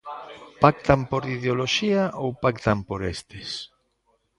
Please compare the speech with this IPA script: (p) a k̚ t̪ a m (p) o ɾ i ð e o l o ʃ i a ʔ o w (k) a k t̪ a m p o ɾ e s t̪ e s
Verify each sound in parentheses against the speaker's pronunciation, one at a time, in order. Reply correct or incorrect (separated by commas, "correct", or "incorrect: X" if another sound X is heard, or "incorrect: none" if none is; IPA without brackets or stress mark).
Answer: correct, correct, incorrect: p